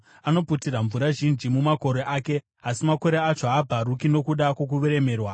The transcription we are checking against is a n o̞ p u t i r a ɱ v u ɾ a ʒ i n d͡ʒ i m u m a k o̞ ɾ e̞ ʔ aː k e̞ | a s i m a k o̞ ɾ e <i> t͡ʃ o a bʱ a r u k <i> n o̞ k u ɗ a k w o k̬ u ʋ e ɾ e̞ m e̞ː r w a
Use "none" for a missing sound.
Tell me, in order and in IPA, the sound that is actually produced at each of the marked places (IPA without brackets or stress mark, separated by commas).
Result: a, i